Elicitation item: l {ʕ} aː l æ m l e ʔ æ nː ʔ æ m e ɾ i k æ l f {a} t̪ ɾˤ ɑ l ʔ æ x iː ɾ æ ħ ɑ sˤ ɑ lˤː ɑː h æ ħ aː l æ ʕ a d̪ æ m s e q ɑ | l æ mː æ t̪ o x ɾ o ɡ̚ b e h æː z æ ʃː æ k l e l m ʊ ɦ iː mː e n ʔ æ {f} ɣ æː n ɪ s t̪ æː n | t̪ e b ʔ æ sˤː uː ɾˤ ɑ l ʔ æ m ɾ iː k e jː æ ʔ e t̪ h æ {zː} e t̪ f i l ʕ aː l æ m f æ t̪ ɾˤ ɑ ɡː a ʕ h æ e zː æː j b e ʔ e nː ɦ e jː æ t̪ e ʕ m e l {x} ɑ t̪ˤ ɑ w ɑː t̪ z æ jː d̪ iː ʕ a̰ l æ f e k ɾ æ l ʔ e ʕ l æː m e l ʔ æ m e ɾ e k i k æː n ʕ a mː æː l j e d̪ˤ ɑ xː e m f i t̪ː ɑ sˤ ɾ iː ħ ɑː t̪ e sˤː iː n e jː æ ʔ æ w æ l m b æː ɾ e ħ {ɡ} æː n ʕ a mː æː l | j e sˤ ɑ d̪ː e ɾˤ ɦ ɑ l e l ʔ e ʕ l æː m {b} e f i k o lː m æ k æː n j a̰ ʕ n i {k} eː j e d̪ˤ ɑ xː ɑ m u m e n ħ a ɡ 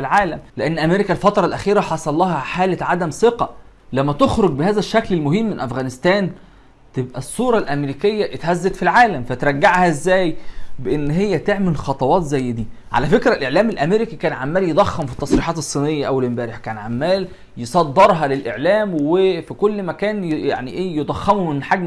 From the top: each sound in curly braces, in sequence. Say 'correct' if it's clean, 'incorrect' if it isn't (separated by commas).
correct, incorrect, correct, correct, correct, incorrect, incorrect, incorrect